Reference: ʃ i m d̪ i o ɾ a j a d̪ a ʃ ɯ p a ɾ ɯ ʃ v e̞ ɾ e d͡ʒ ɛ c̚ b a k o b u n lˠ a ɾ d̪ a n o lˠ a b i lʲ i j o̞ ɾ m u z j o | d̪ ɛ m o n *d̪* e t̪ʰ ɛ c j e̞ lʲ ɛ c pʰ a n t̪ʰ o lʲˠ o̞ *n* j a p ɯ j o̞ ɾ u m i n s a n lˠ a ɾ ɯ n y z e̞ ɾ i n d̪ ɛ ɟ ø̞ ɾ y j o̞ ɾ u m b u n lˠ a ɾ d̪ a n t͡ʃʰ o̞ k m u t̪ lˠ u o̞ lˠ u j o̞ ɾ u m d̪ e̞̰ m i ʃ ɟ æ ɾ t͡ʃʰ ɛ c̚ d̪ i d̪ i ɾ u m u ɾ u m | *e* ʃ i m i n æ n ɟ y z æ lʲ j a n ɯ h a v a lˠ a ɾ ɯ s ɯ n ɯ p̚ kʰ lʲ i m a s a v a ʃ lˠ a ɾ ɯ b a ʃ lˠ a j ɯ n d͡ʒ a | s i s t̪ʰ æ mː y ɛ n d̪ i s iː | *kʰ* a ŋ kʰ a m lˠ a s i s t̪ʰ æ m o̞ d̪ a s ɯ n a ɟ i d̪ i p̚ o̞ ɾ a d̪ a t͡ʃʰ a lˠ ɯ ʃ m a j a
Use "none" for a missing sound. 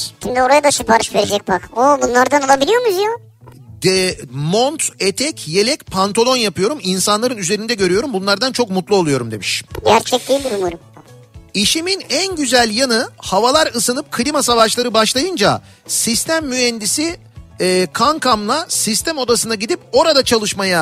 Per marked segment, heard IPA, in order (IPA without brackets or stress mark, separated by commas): t̪, n, i, kʰ